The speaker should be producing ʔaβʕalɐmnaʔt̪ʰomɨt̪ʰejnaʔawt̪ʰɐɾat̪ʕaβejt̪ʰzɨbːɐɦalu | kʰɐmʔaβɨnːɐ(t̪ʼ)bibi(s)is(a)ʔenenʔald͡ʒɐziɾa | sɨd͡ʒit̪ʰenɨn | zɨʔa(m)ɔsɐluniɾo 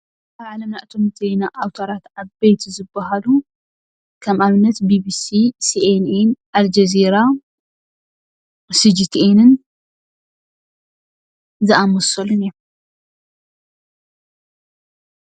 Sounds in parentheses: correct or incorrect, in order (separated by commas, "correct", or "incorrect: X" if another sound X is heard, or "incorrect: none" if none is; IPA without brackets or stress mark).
incorrect: t̪, correct, incorrect: i, correct